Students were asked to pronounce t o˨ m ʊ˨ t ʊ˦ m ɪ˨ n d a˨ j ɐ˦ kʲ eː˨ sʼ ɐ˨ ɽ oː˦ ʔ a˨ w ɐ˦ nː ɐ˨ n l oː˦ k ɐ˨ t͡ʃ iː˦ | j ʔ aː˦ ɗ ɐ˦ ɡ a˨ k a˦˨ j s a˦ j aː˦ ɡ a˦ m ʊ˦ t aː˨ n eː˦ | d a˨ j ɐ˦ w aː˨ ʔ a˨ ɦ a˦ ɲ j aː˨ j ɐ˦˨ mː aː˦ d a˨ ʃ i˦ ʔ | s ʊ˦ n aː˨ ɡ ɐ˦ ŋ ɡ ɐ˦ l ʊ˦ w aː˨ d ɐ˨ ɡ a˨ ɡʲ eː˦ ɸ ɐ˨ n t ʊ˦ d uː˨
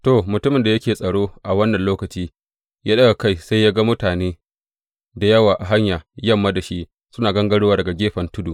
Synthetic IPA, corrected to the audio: t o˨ m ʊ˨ t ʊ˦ m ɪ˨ n d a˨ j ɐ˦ kʲ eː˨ sʼ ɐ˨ ɽ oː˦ ʔ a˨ w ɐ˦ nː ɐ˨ n l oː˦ k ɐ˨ t͡ʃ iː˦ | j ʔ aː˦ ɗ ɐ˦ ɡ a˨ k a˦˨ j s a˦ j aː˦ ɡ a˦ m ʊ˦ t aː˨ n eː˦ | d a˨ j ɐ˦ w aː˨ ʔ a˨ ɦ a˦ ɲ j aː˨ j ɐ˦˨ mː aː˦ d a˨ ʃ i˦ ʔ | s ʊ˦ n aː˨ ɡ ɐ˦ ŋ ɡ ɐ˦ ɽ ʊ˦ w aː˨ d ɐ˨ ɡ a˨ ɡʲ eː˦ ɸ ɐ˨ n t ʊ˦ d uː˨

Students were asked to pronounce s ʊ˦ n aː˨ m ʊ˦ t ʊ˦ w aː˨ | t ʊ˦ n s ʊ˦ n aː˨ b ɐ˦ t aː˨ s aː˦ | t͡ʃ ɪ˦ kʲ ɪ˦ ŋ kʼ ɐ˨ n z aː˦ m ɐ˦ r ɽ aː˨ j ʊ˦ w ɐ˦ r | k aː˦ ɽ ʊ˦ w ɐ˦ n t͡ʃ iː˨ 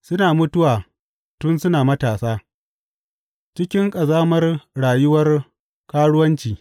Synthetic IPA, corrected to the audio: s ʊ˦ n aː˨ m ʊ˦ t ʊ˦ w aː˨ | t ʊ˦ n s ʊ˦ n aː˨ m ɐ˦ t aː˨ s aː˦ | t͡ʃ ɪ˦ kʲ ɪ˦ ŋ kʼ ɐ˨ z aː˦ m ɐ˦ r ɽ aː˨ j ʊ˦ w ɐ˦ r | k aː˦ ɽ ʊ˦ w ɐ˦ n t͡ʃ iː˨

